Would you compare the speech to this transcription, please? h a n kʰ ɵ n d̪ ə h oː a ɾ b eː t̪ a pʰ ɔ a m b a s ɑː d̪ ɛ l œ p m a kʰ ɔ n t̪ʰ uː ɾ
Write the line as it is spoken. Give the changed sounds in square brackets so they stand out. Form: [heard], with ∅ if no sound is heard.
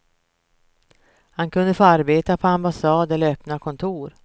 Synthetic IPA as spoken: h a n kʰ ɵ n d̪ ə [f] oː a ɾ b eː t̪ a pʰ ɔ a m b a s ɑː d̪ ɛ l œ p [n] a kʰ ɔ n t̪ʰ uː ɾ